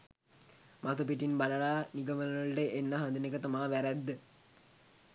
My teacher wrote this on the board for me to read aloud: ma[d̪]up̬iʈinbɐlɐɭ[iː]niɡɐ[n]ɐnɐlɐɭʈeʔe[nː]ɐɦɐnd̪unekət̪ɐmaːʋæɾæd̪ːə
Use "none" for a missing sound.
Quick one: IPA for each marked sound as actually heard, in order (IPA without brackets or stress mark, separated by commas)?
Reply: t̪, aː, m, nː